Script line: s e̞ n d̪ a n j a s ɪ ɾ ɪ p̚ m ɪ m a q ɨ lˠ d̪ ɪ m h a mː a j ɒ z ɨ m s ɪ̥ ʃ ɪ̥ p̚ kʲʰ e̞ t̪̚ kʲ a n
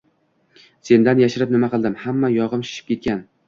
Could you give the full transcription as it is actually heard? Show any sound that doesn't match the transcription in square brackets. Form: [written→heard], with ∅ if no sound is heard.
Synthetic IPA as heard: s e̞ n d̪ a n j a [s→ʃ] ɪ ɾ ɪ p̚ [m→n] ɪ m a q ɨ lˠ d̪ ɪ m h a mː a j ɒ [z→ʁ] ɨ m [s→ʃ] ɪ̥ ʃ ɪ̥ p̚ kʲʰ e̞ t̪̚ kʲ a n